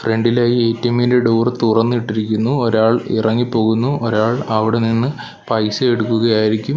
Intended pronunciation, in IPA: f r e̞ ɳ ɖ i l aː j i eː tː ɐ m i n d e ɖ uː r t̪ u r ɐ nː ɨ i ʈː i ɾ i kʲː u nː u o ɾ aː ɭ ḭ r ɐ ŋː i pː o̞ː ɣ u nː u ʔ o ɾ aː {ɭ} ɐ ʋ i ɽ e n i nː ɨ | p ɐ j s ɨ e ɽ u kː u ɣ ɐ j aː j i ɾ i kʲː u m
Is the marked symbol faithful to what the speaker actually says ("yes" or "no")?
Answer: yes